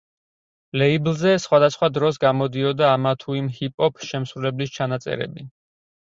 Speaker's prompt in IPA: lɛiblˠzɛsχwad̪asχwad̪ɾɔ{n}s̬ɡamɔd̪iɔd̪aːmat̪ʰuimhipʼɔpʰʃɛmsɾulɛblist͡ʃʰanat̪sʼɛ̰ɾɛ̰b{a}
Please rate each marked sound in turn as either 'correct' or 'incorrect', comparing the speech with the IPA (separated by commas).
incorrect, incorrect